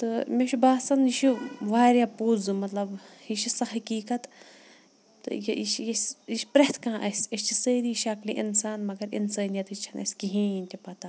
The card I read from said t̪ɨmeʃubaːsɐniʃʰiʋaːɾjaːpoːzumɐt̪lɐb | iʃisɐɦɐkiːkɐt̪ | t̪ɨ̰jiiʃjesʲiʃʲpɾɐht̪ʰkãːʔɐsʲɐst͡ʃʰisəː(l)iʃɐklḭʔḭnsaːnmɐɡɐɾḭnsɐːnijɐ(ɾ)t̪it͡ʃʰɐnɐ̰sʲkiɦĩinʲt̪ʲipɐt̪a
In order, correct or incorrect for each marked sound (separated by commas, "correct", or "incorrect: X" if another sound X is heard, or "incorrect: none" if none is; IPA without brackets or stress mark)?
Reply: incorrect: ɾ, incorrect: none